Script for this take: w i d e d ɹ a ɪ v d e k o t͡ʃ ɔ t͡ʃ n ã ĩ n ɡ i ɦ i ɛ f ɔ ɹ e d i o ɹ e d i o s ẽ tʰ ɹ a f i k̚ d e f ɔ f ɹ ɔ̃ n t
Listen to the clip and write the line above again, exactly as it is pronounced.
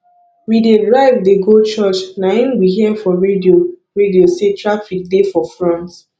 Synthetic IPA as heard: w i d e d ɹ a ɪ v d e ɡ o t͡ʃ ɔ t͡ʃ n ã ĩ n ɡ i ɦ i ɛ f ɔ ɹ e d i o ɹ e d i o s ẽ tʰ ɹ a f i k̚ d e f ɔ f ɹ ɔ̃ n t

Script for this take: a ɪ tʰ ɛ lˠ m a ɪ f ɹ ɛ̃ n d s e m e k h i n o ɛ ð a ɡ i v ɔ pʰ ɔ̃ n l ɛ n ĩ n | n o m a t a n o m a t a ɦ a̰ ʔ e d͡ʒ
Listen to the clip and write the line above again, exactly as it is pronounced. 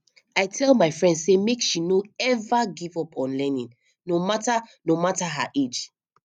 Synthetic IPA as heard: a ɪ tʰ ɛ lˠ m a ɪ f ɹ ɛ̃ n d s e m e k ʃ i n o ɛ v a ɡ i v ɔ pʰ ɔ̃ n l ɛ n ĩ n | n o m a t a n o m a t a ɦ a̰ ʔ e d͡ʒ

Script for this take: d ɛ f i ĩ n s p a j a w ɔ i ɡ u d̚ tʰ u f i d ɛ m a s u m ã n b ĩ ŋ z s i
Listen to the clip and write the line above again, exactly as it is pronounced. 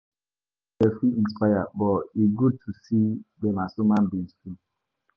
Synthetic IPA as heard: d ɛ f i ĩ n s p a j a b ɔ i ɡ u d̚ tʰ u s i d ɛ m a s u m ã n b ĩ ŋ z f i

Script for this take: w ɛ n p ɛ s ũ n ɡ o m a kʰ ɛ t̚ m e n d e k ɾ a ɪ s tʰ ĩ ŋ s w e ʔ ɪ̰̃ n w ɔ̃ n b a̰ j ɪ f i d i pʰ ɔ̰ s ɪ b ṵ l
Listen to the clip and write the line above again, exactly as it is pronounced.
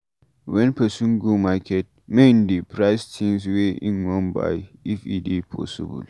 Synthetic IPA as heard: w ɛ n p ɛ s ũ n ɡ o m a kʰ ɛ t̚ m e n d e p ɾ a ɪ s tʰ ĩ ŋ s w e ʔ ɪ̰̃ n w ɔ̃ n b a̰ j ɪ f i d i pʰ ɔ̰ s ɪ b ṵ l

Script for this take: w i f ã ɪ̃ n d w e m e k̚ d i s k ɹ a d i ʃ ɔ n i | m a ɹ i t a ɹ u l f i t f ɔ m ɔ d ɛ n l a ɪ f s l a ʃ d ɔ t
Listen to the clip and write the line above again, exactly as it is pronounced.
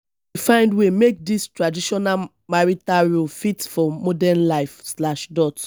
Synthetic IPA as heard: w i f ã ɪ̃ n d w e m e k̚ d i s t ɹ a d i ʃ ɔ n a | m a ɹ i t a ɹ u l f i t f ɔ m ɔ d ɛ n l a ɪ f s l a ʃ d ɔ t

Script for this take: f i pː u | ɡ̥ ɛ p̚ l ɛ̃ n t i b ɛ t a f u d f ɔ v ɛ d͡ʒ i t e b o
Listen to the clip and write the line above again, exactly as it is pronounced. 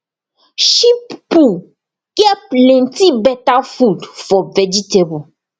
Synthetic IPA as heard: ʃ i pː u | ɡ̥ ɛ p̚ l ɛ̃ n t i b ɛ t a f u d f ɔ v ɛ d͡ʒ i t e b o

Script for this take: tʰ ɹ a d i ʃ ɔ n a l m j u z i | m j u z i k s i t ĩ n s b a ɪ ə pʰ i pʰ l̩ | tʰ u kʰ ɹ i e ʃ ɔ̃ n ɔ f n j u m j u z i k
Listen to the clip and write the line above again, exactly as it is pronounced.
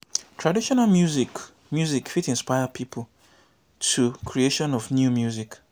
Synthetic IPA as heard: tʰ ɹ a d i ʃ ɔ n a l m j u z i | m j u z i k f i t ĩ n s p a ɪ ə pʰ i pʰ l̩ | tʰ u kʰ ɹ i e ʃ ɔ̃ n ɔ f n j u m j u z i k

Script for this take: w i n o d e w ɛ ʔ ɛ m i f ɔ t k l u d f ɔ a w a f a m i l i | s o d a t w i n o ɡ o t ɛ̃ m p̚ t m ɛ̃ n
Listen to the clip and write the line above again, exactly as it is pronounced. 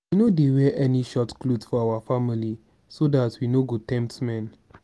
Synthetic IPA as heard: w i n o d e w ɛ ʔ ɛ n i ʃ ɔ t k l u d f ɔ a w a f a m i l i | s o d a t w i n o ɡ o t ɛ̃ m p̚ t m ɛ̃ n

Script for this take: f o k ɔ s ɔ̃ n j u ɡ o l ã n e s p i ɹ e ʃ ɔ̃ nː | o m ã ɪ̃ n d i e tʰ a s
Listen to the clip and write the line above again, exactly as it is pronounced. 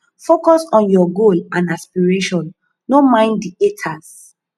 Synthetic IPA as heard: f o k ɔ s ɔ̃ n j ɔ ɡ o l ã n a s p i ɹ e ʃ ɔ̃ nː | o m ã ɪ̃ n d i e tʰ a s

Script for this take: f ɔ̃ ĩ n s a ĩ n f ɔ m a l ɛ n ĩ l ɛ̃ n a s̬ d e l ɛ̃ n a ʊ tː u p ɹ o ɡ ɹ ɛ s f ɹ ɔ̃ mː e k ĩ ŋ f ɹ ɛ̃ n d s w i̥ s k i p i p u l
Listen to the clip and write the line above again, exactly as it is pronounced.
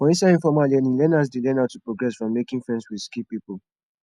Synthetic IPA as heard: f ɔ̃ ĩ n s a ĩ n f ɔ m a l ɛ n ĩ l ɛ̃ n a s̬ d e l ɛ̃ n a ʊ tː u p ɹ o ɡ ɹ ɛ s f ɹ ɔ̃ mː e k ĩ ŋ f ɹ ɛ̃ n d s w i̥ s k i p i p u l

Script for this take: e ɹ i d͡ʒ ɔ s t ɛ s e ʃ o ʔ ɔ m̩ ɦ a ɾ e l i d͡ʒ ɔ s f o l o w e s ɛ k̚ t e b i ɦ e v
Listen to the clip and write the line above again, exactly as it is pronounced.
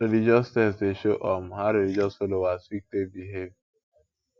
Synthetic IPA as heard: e l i d͡ʒ ɔ s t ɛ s e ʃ o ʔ ɔ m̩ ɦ a ɾ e l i d͡ʒ ɔ s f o l o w a s i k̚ t e b i ɦ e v

